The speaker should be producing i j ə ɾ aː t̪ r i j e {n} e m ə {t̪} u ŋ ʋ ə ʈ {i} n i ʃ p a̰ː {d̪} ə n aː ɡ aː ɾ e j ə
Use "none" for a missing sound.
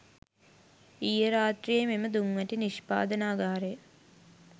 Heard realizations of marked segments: m, d̪, i, d̪

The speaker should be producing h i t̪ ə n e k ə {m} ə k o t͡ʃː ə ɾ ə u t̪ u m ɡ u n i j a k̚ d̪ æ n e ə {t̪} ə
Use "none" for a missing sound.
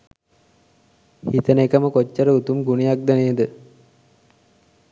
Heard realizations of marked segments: m, d̪

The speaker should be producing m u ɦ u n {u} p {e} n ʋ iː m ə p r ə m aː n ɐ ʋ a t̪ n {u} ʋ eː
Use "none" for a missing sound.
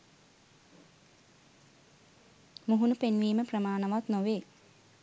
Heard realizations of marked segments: u, e, o

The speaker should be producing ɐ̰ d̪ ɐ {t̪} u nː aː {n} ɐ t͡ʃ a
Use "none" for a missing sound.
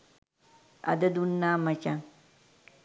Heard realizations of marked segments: d̪, m

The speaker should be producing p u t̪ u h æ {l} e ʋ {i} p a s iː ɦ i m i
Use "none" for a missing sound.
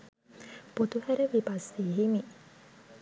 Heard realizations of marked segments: ɾ, i

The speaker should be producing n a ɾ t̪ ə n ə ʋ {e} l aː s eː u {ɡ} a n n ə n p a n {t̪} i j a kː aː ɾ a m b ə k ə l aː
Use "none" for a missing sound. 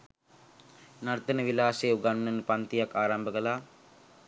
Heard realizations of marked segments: i, ɡ, t̪

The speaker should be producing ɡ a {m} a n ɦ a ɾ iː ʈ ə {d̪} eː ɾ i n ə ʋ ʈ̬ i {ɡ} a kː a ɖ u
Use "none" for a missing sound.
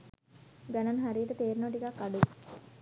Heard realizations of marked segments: n, t̪, k

